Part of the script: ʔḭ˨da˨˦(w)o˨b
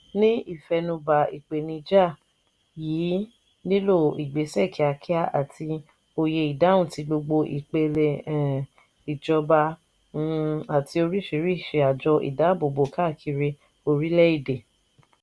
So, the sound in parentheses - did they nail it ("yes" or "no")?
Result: no